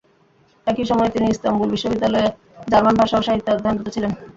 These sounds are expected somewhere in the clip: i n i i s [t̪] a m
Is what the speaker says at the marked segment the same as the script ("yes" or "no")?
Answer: yes